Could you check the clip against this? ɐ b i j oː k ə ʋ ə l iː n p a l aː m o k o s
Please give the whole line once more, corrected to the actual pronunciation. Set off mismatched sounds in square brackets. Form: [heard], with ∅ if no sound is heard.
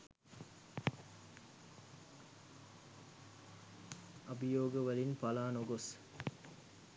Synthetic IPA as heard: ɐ b i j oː [ɡ] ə ʋ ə l [i] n p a l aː [n] o [ɡ] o s